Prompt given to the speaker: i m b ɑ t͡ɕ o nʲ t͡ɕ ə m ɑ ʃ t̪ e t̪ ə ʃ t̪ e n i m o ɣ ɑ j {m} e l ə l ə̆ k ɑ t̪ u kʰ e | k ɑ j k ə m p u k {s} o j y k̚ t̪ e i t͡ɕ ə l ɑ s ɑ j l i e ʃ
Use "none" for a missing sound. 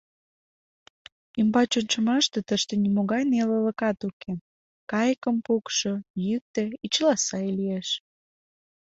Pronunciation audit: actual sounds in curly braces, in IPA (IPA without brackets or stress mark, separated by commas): n, ʃ